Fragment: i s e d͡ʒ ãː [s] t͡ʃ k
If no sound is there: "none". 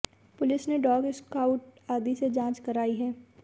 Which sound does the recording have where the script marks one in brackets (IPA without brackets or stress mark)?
none